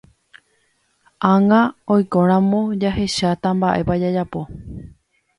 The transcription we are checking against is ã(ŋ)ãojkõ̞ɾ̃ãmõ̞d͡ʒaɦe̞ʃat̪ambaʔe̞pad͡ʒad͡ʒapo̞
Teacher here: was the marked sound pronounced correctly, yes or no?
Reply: yes